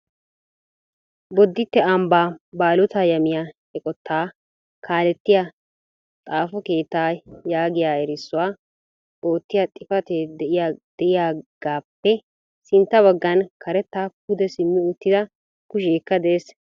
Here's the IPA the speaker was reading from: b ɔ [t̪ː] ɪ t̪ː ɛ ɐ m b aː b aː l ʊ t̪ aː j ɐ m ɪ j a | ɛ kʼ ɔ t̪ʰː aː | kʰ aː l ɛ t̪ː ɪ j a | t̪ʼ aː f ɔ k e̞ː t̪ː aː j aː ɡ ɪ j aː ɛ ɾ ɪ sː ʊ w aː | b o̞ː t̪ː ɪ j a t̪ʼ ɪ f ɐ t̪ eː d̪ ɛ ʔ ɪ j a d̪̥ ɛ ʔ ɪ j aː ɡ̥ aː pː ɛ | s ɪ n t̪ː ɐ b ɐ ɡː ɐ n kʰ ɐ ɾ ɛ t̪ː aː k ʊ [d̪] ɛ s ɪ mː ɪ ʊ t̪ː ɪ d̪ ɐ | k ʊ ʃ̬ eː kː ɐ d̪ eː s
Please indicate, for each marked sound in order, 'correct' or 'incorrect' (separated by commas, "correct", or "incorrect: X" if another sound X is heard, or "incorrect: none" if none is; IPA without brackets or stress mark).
incorrect: d̪ː, correct